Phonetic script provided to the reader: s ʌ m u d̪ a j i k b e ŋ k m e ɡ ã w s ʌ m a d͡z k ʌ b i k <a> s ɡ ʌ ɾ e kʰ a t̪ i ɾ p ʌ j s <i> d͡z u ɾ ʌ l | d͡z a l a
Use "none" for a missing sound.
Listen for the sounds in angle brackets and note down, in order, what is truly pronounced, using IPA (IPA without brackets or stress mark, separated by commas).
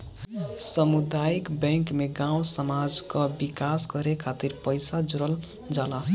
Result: a, a